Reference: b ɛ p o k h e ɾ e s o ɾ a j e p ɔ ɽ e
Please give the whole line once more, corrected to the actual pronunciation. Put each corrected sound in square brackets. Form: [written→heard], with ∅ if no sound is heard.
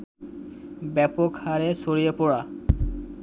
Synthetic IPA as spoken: b ɛ p o k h [e→a] ɾ e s o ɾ [a→i] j e p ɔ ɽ [e→a]